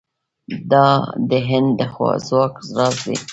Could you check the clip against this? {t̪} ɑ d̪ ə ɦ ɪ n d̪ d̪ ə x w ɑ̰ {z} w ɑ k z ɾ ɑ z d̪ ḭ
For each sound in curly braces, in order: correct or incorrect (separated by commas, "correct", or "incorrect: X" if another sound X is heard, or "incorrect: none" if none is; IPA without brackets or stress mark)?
incorrect: d̪, correct